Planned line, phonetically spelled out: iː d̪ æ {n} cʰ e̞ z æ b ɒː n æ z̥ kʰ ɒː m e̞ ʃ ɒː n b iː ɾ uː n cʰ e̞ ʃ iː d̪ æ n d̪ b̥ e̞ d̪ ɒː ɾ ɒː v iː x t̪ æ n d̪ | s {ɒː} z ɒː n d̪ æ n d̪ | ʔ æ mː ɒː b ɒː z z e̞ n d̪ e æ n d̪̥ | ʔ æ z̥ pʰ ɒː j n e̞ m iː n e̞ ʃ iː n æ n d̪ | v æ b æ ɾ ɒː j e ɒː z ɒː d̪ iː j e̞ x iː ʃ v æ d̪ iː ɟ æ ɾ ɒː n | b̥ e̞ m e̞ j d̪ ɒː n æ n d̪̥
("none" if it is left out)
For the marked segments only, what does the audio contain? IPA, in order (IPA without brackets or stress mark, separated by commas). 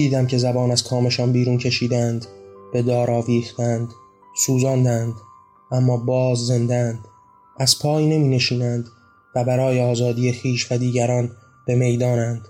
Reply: m, uː